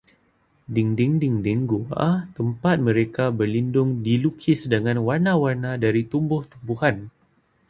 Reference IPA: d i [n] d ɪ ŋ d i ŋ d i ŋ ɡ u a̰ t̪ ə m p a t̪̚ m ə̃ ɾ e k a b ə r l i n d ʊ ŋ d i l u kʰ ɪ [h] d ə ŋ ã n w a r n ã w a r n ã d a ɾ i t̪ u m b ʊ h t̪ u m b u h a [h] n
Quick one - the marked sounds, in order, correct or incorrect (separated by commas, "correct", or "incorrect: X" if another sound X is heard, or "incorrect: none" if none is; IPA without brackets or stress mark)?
incorrect: ŋ, incorrect: s, incorrect: none